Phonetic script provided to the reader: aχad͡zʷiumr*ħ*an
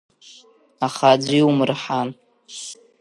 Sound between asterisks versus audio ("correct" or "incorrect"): correct